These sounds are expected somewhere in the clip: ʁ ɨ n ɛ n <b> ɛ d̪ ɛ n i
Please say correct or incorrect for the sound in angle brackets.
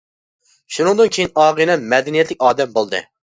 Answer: incorrect